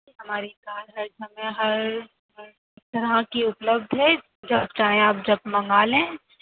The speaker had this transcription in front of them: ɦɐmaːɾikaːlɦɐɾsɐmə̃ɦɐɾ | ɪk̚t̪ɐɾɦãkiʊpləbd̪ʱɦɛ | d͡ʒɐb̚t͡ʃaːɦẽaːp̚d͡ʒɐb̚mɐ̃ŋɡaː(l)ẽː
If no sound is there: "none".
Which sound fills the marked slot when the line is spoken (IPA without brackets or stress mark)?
l